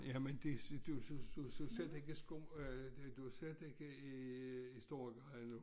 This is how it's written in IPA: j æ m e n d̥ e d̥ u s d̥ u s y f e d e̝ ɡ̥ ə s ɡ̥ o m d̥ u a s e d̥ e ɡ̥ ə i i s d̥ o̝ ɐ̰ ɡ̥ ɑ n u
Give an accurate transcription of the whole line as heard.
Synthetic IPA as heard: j æ m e n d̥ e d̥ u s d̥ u s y s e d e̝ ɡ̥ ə s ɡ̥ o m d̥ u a s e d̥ e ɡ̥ ə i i s d̥ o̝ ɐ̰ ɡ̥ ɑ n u